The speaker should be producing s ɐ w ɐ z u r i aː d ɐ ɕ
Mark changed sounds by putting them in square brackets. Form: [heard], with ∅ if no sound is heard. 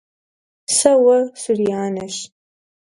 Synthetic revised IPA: s ɐ w ɐ [s] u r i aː [n] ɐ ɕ

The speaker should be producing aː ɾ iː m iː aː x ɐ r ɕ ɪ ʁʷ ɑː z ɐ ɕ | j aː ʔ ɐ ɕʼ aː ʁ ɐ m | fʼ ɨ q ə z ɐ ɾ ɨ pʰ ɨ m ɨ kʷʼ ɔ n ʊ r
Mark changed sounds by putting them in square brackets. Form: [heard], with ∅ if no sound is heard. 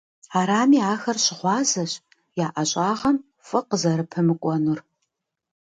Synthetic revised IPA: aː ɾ [aː] m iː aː x ɐ r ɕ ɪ ʁʷ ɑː z ɐ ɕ | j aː ʔ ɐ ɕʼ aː ʁ ɐ m | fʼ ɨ q ə z ɐ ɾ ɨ pʰ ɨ m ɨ kʷʼ ɔ n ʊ r

